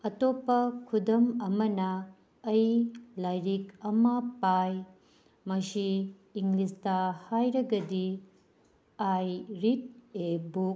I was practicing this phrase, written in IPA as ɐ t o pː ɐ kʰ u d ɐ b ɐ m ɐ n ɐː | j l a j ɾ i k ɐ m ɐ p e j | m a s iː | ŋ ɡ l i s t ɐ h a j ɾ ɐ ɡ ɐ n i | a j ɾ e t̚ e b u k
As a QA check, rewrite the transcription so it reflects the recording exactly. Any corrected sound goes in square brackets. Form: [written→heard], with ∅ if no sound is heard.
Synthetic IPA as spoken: ɐ t o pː ɐ kʰ u d ɐ [b→m] ɐ m ɐ n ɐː | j l a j ɾ i k ɐ m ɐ p [e→a] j | m [a→ɐ] s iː | ŋ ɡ l i s t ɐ h a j ɾ ɐ ɡ ɐ [n→d] i | a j ɾ [e→i] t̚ e b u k